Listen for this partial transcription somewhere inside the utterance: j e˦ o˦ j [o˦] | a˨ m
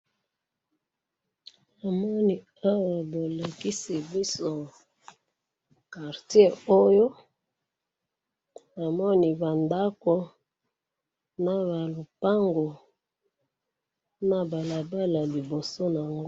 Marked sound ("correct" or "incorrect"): correct